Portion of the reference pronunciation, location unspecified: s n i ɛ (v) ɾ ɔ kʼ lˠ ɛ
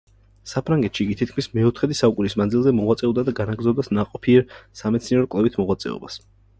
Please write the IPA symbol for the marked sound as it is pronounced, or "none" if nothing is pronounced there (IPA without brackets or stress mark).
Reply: none